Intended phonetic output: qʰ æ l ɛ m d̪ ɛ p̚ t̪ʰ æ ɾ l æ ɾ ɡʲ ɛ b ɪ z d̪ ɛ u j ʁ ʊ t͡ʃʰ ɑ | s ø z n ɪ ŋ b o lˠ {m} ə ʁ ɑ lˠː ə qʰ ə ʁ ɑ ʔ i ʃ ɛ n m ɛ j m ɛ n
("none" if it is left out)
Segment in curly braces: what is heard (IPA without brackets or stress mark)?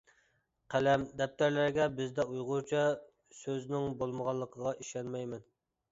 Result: m